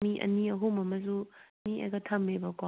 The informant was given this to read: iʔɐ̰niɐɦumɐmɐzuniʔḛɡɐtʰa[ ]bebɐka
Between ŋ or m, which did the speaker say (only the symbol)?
m